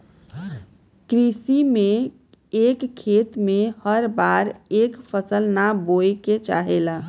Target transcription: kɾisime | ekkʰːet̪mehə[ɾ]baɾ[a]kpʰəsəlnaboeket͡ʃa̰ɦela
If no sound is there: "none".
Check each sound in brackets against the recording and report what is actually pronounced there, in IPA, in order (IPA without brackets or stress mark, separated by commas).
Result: ɾ, e